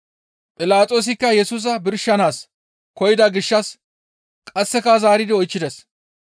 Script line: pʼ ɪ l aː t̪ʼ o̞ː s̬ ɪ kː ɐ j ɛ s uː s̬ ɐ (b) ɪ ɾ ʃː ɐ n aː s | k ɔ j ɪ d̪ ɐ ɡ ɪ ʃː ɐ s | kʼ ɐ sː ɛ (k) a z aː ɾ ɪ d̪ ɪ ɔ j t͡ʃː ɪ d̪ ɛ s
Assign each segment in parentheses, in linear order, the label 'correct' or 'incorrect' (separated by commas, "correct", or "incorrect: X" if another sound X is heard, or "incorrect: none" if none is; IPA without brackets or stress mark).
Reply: correct, correct